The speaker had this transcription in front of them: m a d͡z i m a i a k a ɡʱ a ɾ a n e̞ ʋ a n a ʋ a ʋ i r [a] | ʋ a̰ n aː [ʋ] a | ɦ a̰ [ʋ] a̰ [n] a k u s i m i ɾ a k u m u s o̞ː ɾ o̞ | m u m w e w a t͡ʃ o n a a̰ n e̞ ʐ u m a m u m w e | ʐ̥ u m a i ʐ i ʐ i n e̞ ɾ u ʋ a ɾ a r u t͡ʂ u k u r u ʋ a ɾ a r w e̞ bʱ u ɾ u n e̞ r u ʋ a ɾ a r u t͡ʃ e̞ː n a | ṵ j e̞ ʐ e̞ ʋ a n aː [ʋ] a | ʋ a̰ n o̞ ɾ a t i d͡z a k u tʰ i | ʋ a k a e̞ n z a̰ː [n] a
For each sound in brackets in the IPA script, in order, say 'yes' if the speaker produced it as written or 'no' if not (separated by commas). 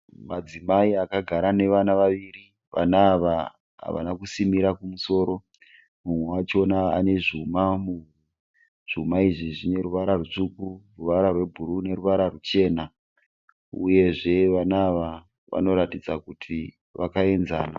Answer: no, yes, yes, yes, yes, yes